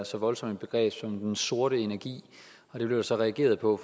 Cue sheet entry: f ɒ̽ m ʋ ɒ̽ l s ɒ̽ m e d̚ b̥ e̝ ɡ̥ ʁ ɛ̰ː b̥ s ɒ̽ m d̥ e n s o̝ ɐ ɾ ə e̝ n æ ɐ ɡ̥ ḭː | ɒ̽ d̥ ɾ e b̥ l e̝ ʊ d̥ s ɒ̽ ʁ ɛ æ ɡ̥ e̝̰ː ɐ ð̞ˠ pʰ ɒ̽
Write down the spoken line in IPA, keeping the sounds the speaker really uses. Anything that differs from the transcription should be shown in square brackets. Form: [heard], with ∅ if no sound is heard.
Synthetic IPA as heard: [s] ɒ̽ [∅] ʋ ɒ̽ l s ɒ̽ m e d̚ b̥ e̝ ɡ̥ ʁ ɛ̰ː b̥ s ɒ̽ m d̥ e n s o̝ ɐ ɾ ə e̝ n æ ɐ ɡ̥ ḭː | ɒ̽ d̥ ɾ e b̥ l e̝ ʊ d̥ s ɒ̽ ʁ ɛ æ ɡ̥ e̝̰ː ɐ ð̞ˠ pʰ ɒ̽